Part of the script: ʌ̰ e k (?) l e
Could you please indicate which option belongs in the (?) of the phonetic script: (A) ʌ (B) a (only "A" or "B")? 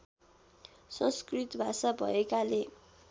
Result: B